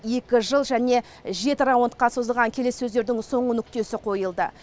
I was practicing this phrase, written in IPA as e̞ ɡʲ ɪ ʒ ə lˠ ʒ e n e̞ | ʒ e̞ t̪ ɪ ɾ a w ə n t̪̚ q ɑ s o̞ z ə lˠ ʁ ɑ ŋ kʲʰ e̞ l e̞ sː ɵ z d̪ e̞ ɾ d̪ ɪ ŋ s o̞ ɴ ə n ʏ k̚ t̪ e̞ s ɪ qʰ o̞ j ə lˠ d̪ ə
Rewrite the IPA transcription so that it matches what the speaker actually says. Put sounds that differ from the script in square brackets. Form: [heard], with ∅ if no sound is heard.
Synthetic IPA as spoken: e̞ [kʲ] ɪ ʒ ə lˠ ʒ [æ] n e̞ | ʒ e̞ t̪ ɪ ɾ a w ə n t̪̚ q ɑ s o̞ z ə lˠ ʁ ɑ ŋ kʲʰ e̞ l e̞ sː ɵ z d̪ e̞ ɾ d̪ ɪ ŋ s o̞ ɴ ə n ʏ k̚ t̪ e̞ s ɪ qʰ o̞ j ə lˠ d̪ ə